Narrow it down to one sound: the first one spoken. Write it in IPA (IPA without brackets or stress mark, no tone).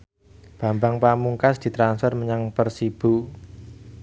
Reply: b̥